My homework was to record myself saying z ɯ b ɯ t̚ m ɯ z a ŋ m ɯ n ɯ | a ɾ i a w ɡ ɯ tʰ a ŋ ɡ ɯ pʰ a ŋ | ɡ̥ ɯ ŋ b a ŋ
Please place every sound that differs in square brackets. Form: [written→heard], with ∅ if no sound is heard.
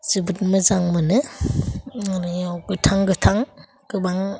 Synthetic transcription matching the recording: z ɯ b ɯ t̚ m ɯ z a ŋ m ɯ n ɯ | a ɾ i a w ɡ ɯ tʰ a ŋ ɡ ɯ [pʰ→tʰ] a ŋ | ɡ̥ ɯ [ŋ→∅] b a ŋ